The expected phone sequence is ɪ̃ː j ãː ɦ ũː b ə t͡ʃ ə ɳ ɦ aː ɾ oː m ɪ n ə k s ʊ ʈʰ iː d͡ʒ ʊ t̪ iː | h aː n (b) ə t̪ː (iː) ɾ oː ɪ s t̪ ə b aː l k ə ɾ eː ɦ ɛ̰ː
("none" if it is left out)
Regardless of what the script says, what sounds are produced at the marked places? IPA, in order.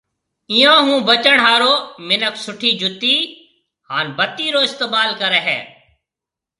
b, iː

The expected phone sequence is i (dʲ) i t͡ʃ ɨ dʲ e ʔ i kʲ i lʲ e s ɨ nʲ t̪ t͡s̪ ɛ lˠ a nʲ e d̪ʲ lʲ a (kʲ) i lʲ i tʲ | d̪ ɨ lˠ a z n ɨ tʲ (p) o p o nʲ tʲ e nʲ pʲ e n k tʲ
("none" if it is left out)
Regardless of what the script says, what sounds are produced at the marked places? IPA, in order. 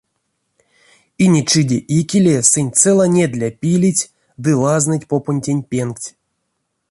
nʲ, pʲ, p

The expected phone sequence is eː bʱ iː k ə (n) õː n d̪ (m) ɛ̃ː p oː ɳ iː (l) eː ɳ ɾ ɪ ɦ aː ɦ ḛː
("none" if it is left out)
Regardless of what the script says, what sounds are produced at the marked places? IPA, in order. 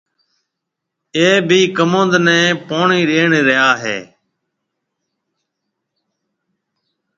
m, n, ɾ

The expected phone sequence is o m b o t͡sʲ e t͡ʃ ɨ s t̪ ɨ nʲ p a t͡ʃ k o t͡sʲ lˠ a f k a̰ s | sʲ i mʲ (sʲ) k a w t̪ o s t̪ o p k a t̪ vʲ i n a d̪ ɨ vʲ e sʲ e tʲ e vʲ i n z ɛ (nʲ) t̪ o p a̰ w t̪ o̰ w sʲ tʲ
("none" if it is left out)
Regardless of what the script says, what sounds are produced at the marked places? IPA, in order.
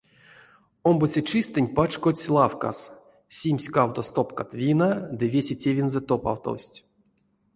sʲ, none

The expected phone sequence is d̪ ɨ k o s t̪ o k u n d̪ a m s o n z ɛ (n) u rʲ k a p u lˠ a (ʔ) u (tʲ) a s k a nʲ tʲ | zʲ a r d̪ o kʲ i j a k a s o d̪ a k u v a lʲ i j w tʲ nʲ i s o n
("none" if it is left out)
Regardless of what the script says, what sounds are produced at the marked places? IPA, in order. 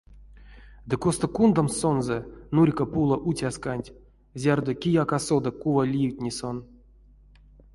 n, ʔ, tʲ

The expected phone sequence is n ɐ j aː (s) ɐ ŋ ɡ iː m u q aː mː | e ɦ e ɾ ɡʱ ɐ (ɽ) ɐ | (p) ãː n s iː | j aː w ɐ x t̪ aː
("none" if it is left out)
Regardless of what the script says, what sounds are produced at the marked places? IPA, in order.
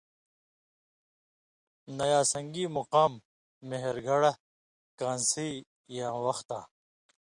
s, ɽ, k

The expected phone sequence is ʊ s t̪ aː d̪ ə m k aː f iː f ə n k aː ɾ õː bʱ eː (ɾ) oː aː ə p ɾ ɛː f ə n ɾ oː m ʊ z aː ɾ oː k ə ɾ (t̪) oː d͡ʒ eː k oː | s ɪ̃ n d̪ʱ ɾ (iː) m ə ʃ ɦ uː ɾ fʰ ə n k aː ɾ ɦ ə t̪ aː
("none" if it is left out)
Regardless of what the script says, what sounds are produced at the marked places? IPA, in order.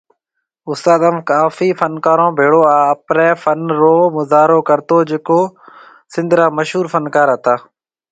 ɽ, t̪, aː

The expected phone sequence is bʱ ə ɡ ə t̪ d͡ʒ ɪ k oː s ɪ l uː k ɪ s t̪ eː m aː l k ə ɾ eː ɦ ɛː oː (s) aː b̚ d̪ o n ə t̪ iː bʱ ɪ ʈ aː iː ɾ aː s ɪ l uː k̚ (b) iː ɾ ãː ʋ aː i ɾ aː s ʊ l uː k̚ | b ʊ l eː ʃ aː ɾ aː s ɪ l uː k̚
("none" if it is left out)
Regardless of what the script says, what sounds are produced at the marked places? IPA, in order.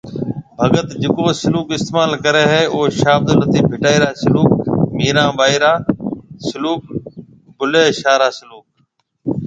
ʃ, m

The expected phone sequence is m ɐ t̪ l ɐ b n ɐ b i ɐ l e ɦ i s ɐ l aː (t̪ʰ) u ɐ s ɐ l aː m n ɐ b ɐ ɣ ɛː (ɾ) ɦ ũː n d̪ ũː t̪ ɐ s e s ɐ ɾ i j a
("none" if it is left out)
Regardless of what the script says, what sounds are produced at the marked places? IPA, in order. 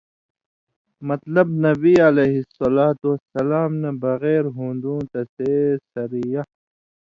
t̪, ɾ

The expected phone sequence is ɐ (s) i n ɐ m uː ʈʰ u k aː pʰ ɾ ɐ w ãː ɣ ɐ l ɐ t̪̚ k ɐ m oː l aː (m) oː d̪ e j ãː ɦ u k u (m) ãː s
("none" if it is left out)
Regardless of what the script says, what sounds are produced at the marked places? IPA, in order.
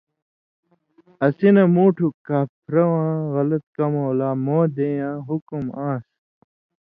s, m, m

